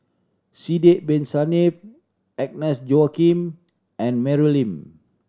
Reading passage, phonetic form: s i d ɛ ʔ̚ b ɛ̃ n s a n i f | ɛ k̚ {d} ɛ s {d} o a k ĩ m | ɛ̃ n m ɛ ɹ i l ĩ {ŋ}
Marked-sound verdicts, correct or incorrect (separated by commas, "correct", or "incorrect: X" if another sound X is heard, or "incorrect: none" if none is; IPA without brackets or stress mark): incorrect: n, incorrect: d͡ʒ, incorrect: m